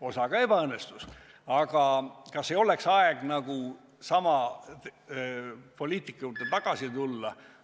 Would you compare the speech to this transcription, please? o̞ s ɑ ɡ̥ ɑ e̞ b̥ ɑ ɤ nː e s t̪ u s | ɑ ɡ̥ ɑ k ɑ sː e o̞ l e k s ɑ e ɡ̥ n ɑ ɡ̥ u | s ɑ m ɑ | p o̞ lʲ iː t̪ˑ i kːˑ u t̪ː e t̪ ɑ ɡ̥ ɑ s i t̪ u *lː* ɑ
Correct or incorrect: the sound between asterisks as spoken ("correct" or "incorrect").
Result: correct